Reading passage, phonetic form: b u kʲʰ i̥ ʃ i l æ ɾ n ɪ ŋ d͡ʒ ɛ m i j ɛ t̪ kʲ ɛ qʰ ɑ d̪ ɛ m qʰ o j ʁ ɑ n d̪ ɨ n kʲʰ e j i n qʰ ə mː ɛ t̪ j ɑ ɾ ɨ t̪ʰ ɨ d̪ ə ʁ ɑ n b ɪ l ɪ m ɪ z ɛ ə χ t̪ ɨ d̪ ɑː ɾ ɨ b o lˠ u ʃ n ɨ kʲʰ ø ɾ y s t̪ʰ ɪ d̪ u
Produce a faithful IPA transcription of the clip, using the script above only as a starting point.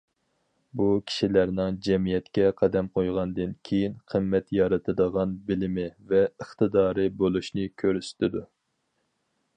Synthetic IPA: b u kʲʰ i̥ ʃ i l æ ɾ n ɪ ŋ d͡ʒ ɛ m i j ɛ t̪ kʲ ɛ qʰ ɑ d̪ ɛ m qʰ o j ʁ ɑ n d̪ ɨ n kʲʰ e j i n qʰ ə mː ɛ t̪ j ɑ ɾ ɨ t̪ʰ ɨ d̪ ə ʁ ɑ n b ɪ l ɪ m ɪ v ɛ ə χ t̪ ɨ d̪ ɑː ɾ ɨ b o lˠ u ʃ n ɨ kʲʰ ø ɾ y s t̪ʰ ɪ d̪ u